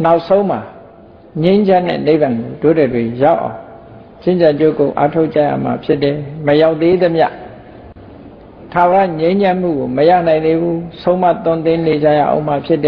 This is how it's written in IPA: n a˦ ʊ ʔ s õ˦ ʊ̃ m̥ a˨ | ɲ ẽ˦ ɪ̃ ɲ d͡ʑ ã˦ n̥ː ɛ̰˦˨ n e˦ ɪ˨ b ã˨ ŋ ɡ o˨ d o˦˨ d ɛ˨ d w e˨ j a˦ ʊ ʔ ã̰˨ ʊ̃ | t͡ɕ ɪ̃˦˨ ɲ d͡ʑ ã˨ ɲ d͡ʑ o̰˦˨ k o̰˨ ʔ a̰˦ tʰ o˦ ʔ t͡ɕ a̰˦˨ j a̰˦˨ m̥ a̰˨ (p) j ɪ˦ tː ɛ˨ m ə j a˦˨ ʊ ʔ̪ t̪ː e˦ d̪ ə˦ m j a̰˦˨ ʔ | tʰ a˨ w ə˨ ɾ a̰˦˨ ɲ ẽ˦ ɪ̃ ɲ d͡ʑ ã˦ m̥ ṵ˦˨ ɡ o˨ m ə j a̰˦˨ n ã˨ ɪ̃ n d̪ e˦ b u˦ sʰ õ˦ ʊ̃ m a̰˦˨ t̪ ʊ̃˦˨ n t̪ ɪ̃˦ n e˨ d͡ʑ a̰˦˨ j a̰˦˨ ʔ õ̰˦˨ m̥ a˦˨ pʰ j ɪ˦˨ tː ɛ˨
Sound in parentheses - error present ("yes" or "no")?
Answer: yes